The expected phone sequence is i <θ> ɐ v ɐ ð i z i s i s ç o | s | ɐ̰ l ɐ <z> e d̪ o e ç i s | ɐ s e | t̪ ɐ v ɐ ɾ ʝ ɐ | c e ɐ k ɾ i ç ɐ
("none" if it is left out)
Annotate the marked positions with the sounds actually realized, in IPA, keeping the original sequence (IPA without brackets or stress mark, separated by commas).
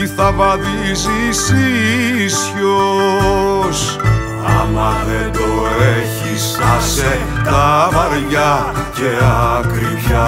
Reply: θ, ð